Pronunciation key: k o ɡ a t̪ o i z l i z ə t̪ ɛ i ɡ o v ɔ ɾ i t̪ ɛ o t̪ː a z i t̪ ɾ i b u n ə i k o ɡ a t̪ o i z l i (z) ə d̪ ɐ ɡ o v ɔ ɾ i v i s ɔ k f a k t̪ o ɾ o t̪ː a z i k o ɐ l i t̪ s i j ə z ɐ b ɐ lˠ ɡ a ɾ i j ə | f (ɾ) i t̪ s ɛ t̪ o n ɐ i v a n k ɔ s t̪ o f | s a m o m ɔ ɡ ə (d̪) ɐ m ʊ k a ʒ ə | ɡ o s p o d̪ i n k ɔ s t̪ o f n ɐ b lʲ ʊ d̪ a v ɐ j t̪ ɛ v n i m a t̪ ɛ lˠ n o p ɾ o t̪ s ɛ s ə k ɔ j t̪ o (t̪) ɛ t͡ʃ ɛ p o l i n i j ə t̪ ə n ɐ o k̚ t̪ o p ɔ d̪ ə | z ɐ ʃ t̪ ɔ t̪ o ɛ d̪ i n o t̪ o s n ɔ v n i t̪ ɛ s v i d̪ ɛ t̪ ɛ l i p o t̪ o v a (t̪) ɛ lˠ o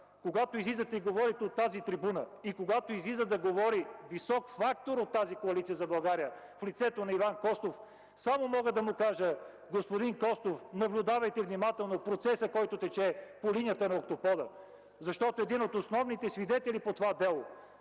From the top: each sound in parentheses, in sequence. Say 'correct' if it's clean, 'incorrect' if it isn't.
correct, incorrect: l, correct, correct, incorrect: d̪

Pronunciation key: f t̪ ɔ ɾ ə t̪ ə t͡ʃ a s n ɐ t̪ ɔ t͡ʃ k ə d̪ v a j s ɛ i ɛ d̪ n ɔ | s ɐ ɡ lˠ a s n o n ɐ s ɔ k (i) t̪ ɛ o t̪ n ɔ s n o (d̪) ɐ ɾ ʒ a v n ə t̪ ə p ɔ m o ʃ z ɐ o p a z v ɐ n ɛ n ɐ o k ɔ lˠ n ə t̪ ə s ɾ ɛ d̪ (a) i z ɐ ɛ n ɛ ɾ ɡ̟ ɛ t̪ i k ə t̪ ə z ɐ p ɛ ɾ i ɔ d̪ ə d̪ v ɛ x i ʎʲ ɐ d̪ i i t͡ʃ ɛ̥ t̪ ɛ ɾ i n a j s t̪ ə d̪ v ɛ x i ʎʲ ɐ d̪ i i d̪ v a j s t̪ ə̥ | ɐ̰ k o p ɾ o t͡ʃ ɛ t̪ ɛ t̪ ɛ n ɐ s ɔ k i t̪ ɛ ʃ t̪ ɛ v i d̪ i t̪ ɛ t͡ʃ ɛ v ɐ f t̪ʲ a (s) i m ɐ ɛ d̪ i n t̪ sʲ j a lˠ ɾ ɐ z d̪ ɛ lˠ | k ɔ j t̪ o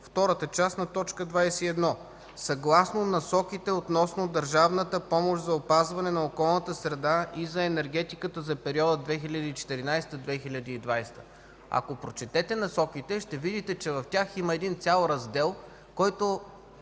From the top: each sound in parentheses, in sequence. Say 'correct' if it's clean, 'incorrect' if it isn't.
correct, correct, correct, incorrect: x

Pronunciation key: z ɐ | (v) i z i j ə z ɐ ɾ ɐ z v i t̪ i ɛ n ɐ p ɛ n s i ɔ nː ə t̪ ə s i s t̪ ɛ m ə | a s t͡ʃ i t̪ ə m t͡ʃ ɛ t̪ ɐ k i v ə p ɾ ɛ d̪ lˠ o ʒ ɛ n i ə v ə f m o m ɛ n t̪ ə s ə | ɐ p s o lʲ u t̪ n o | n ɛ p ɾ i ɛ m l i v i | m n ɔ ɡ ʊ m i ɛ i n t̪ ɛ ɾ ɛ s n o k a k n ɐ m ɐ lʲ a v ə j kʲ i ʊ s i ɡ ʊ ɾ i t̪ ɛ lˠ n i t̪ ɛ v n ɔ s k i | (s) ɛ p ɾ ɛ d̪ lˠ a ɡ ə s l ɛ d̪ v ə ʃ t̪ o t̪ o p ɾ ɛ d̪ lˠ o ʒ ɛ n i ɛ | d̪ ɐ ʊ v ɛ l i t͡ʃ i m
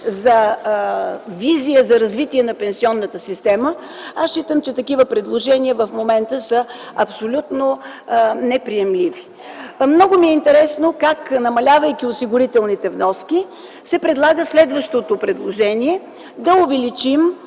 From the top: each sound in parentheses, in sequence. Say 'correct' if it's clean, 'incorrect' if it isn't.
correct, correct

